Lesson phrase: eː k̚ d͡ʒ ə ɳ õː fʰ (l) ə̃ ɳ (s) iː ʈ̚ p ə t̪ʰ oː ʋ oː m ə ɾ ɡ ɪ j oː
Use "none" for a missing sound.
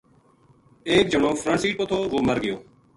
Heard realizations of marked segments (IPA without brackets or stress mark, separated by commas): ɾ, s